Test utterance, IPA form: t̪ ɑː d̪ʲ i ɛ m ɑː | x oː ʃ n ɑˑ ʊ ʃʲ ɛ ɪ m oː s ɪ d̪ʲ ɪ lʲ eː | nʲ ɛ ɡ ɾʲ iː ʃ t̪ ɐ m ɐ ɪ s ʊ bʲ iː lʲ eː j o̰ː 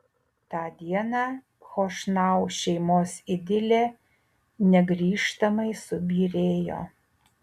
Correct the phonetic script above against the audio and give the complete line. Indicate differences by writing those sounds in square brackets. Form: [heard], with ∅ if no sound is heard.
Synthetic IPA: t̪ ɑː d̪ʲ i ɛ [n] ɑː | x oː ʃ n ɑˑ ʊ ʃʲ ɛ ɪ m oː s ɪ d̪ʲ ɪ lʲ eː | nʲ ɛ ɡ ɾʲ iː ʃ t̪ ɐ m ɐ ɪ s ʊ bʲ iː [ɾʲ] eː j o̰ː

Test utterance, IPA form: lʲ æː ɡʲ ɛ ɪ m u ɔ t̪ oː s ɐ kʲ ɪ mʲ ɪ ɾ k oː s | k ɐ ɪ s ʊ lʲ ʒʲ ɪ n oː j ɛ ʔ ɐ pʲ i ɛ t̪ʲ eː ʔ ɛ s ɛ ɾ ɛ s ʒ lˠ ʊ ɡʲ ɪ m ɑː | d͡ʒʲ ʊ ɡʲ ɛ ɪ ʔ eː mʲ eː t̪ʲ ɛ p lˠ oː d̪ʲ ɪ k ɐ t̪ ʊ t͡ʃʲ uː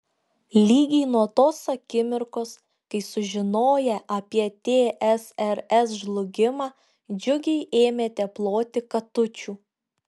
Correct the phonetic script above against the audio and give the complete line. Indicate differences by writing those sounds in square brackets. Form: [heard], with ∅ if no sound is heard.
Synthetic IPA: lʲ [iː] ɡʲ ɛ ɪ [n] u ɔ t̪ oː s ɐ kʲ ɪ mʲ ɪ ɾ k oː s | k ɐ ɪ s ʊ [∅] ʒʲ ɪ n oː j ɛ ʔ ɐ pʲ i ɛ t̪ʲ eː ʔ ɛ s ɛ ɾ ɛ s ʒ lˠ ʊ ɡʲ ɪ m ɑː | d͡ʒʲ ʊ ɡʲ ɛ ɪ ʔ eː mʲ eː t̪ʲ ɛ p lˠ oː [t̪ʲ] ɪ k ɐ t̪ ʊ t͡ʃʲ uː

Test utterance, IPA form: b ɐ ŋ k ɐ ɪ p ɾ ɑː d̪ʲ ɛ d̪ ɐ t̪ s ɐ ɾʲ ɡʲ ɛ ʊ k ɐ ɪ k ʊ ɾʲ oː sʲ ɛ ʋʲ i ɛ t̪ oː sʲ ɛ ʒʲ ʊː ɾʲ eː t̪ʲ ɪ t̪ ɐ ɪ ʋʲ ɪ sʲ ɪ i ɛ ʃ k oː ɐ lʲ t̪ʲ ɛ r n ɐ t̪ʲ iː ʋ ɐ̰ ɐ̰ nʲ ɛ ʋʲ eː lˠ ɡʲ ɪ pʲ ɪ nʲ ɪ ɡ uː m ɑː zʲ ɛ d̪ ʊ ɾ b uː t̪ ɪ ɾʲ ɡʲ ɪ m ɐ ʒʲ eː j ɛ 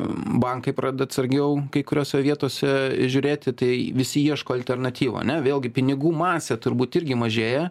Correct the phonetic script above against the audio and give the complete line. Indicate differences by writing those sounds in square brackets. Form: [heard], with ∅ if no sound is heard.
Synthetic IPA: b ɐ ŋ k ɐ ɪ p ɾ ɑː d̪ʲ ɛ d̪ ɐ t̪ s ɐ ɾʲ ɡʲ ɛ ʊ k ɐ ɪ k ʊ ɾʲ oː sʲ ɛ ʋʲ i ɛ t̪ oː sʲ ɛ ʒʲ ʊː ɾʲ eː t̪ʲ ɪ t̪ ɐ ɪ ʋʲ ɪ sʲ ɪ i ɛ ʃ k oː ɐ lʲ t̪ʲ ɛ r n ɐ t̪ʲ iː ʋ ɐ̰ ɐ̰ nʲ ɛ ʋʲ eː lˠ ɡʲ ɪ pʲ ɪ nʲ ɪ ɡ uː m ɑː [sʲ] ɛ [t̪] ʊ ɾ b uː t̪ ɪ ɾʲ ɡʲ ɪ m ɐ ʒʲ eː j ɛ

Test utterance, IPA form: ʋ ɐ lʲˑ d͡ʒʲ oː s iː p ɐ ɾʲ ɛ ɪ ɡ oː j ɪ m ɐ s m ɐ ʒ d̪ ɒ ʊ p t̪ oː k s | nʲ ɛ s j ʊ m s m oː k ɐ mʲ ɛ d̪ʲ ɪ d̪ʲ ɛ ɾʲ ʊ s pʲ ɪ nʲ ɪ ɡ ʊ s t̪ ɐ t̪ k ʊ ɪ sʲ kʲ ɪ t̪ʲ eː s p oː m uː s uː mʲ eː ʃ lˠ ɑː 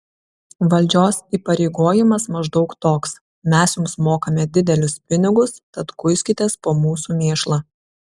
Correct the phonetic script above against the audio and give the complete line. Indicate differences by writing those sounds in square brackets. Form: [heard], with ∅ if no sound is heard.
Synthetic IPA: ʋ ɐ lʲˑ d͡ʒʲ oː s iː p ɐ ɾʲ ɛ ɪ ɡ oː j ɪ m ɐ s m ɐ ʒ d̪ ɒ ʊ [k] t̪ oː k s | [mʲ] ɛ s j ʊ m s m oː k ɐ mʲ ɛ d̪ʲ ɪ d̪ʲ ɛ [lʲ] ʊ s pʲ ɪ nʲ ɪ ɡ ʊ s t̪ ɐ t̪ k ʊ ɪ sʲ kʲ ɪ t̪ʲ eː s p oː m uː s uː mʲ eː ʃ lˠ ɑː

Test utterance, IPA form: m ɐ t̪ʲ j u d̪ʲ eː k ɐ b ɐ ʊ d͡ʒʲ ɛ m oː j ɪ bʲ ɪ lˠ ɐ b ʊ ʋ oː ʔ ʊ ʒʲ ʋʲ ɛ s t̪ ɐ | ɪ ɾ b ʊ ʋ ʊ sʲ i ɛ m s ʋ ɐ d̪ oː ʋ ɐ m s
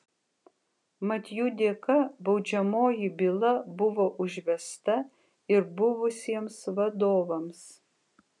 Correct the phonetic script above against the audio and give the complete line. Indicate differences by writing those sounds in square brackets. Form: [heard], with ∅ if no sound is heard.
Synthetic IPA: m ɐ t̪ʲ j u d̪ʲ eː k ɐ b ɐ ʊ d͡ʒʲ ɛ m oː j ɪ bʲ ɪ lˠ ɐ b ʊ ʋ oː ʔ ʊ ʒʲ ʋʲ ɛ s t̪ ɐ | ɪ ɾ b ʊ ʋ ʊ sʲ i ɛ m s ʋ ɐ d̪ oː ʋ ɐ m s

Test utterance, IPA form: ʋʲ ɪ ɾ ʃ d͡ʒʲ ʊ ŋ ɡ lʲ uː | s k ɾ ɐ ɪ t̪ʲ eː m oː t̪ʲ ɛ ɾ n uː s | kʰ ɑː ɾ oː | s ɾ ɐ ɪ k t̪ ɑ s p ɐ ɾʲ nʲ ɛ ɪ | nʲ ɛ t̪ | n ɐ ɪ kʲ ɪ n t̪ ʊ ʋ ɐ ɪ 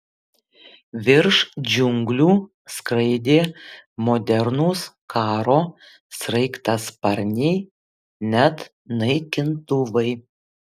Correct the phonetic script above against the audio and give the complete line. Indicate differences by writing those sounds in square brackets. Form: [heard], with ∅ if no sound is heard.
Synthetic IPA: ʋʲ ɪ ɾ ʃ d͡ʒʲ ʊ ŋ ɡ lʲ uː | s k ɾ ɐ ɪ [d̪ʲ] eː m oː [d̪ʲ] ɛ ɾ n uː s | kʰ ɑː ɾ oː | s ɾ ɐ ɪ k t̪ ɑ s p ɐ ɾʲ nʲ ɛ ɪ | nʲ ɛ t̪ | n ɐ ɪ kʲ ɪ n t̪ ʊ ʋ ɐ ɪ

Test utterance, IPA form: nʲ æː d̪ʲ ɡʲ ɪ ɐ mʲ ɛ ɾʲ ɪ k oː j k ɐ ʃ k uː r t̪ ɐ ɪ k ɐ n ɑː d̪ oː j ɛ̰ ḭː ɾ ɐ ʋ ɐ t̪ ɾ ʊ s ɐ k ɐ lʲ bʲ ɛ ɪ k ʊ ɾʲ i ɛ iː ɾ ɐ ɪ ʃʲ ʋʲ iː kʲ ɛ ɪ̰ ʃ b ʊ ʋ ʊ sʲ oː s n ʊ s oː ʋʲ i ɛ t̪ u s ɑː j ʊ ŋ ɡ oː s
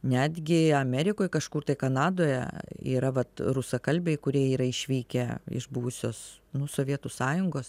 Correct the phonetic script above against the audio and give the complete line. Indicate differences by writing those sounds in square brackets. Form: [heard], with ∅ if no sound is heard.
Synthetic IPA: nʲ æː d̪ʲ ɡʲ ɪ ɐ mʲ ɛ ɾʲ ɪ k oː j k ɐ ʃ k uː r t̪ ɐ ɪ k ɐ n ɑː d̪ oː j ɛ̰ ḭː ɾ ɐ ʋ ɐ t̪ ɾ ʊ s ɐ k ɐ lʲ bʲ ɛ ɪ k ʊ ɾʲ i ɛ iː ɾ ɐ ɪ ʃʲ ʋʲ iː kʲ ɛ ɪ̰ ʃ b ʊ ʋ ʊ sʲ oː s n ʊ s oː ʋʲ i ɛ t̪ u s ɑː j ʊ ŋ ɡ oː s

